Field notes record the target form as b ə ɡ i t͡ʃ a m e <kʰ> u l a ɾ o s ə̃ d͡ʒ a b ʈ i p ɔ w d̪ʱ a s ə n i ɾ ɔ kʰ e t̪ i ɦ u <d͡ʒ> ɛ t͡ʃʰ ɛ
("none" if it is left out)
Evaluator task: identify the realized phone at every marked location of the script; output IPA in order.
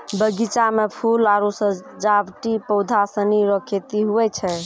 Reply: pʰ, none

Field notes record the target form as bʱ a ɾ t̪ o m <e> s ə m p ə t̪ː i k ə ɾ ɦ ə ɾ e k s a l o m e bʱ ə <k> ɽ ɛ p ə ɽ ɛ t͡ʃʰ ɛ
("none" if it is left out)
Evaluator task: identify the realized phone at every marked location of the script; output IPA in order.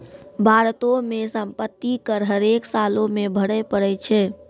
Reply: e, none

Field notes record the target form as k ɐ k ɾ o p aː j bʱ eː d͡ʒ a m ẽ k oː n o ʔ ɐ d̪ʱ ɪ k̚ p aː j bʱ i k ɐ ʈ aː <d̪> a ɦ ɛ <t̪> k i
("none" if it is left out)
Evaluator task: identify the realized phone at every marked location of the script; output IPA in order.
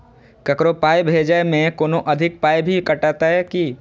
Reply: t̪, none

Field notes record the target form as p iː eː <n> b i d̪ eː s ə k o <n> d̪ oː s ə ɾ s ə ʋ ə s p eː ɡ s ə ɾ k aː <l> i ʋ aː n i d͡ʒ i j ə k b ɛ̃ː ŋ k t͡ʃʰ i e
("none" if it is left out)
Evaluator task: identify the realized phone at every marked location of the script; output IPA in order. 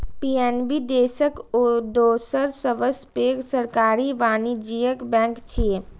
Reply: n, none, ɾ

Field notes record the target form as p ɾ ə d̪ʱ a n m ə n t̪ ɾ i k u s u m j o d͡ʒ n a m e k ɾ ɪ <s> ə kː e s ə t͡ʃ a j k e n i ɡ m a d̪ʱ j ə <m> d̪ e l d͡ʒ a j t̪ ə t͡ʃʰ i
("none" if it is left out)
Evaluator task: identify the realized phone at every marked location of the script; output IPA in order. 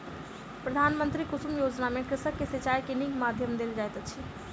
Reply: s, m

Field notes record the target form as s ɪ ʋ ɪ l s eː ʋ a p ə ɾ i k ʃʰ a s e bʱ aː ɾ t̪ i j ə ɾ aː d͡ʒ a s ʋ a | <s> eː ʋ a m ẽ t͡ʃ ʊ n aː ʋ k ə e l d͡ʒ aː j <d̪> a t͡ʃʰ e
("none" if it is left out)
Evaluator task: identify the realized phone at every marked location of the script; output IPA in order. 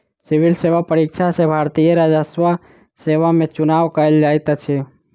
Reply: s, t̪

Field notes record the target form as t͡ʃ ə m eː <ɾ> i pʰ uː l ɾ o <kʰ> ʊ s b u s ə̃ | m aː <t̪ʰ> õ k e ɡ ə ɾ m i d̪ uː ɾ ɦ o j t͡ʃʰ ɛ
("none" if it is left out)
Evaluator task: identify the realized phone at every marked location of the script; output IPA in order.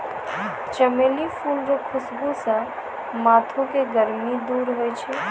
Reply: l, kʰ, t̪ʰ

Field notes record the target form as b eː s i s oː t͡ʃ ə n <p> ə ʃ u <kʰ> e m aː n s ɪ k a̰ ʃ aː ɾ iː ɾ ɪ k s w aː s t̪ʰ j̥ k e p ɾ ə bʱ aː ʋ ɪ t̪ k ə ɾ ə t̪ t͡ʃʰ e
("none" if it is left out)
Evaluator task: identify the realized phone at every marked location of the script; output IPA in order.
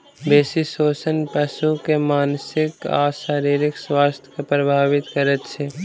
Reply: p, k

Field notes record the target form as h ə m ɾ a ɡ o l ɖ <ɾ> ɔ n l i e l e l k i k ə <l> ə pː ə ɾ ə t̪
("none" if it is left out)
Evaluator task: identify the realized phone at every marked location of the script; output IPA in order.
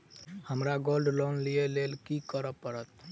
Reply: l, ɾ

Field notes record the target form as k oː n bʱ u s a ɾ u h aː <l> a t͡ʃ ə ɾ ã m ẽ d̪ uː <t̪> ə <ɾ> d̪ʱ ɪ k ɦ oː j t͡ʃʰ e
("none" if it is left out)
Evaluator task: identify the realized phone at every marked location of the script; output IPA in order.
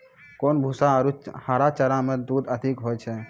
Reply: ɾ, d̪, none

